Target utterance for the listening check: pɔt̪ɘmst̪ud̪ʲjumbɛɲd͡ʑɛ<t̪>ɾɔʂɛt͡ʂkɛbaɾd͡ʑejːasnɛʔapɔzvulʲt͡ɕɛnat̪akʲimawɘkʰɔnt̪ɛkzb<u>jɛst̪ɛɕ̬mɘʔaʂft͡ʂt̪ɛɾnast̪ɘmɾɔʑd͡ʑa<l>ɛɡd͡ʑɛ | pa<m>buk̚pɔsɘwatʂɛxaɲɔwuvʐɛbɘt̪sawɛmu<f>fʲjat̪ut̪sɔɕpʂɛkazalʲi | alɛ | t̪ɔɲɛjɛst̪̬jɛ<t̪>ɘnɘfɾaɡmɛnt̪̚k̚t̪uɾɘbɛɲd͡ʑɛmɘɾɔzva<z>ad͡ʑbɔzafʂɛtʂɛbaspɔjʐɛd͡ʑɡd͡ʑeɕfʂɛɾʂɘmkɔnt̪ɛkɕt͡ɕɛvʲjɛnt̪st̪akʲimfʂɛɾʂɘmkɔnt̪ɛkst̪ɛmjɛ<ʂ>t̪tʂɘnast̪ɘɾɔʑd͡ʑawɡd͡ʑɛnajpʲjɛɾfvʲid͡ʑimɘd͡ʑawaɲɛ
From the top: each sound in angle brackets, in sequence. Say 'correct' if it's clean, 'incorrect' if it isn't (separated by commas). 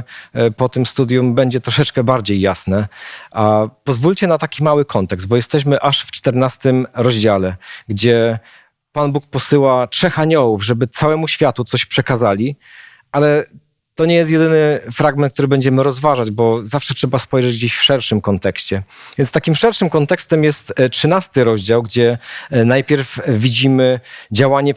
correct, incorrect, correct, incorrect, incorrect, incorrect, incorrect, incorrect